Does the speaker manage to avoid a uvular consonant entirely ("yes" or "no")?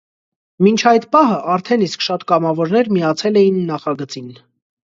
no